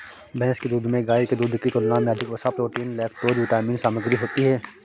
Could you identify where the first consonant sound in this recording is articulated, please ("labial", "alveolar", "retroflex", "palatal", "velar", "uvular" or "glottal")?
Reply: labial